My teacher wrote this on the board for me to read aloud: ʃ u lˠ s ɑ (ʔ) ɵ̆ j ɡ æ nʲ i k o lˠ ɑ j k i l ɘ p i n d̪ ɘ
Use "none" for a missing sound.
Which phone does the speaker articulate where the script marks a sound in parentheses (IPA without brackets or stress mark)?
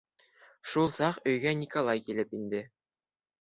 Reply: q